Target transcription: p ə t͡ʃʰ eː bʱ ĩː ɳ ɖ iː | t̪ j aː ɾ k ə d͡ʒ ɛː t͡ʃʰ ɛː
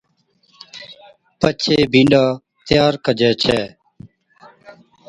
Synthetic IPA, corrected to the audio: p ə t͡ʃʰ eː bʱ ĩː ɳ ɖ aː | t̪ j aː ɾ k ə d͡ʒ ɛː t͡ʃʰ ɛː

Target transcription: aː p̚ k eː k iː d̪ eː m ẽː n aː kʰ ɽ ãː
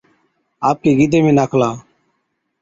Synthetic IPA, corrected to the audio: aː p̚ k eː ɡ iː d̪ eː m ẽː n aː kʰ l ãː

